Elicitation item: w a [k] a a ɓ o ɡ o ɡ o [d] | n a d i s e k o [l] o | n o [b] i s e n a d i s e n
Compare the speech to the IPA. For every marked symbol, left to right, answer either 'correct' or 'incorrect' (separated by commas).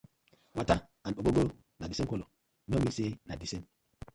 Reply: incorrect, incorrect, correct, incorrect